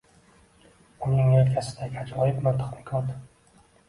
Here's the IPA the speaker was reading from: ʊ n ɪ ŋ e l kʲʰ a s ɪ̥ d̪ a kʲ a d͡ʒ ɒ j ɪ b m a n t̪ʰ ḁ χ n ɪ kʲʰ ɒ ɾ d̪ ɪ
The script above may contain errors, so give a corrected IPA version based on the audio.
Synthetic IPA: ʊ n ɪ ŋ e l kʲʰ a s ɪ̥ d̪ a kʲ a d͡ʒ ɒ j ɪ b m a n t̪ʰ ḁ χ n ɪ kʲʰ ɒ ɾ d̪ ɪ